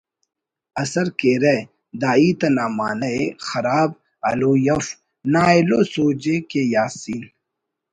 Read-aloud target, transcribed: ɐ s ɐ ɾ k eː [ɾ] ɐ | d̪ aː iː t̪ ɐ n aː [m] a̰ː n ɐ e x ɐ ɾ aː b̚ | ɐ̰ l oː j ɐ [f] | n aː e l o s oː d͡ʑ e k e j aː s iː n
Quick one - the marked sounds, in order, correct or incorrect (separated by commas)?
correct, correct, correct